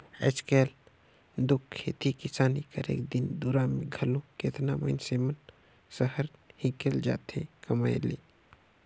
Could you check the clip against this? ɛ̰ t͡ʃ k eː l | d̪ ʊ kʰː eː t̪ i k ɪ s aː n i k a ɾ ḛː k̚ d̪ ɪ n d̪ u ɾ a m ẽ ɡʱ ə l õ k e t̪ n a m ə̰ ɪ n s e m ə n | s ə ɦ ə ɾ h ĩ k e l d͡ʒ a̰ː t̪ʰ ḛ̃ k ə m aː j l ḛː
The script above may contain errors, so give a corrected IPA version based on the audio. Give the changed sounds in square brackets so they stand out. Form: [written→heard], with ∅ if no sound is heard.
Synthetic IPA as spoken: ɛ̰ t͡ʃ k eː l | d̪ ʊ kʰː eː t̪ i k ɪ s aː n i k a ɾ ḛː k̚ d̪ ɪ n d̪ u ɾ a m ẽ ɡʱ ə l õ k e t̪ n a m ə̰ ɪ n s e m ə n | s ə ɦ ə ɾ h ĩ k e l d͡ʒ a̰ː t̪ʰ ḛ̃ k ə m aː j l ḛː